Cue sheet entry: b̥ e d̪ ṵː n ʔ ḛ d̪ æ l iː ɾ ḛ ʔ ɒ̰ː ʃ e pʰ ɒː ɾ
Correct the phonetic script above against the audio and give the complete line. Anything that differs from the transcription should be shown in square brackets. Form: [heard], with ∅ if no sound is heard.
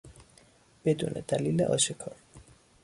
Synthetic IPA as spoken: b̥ e d̪ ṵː n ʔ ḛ d̪ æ l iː [l] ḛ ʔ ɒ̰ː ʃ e [kʰ] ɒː ɾ